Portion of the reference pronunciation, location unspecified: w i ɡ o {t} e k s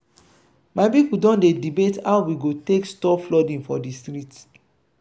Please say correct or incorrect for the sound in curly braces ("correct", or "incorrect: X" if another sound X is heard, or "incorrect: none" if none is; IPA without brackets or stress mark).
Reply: correct